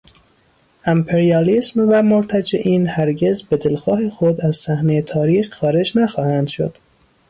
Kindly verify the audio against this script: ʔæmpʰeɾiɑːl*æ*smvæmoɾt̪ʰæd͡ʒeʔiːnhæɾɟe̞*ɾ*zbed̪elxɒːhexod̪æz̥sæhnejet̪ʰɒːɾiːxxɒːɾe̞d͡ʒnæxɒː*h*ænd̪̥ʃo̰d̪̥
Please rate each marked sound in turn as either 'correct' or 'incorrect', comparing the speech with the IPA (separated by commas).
incorrect, incorrect, correct